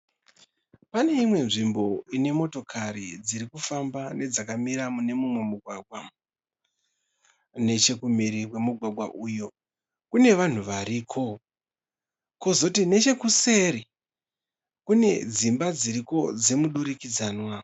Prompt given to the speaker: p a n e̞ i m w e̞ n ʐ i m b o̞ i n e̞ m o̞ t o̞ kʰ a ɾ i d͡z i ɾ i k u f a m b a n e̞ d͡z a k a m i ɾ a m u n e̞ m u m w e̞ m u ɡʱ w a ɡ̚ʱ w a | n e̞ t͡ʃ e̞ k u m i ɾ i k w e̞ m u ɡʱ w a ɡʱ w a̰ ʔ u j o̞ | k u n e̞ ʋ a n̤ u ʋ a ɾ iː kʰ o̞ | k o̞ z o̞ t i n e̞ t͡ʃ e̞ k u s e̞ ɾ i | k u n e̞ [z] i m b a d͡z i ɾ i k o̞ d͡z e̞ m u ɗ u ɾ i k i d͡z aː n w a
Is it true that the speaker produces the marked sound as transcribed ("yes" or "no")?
no